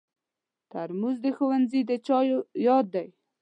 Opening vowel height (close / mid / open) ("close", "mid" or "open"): open